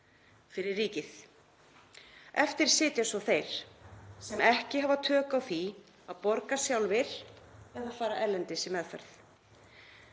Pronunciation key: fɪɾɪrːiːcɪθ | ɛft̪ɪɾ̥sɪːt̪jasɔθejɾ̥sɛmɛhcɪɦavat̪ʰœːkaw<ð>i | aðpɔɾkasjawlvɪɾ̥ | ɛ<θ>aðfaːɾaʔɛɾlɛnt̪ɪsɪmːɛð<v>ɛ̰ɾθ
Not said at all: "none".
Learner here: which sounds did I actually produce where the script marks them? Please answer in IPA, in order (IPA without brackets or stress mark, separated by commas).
θ, ð, f